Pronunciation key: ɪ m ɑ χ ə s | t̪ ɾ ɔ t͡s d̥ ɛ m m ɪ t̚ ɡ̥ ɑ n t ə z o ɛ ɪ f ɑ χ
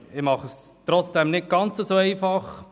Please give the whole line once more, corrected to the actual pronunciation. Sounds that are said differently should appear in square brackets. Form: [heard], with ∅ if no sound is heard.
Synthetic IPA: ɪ m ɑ χ ə s | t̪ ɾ ɔ t͡s d̥ ɛ m [n] ɪ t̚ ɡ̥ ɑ n [t͡s] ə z o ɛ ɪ f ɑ χ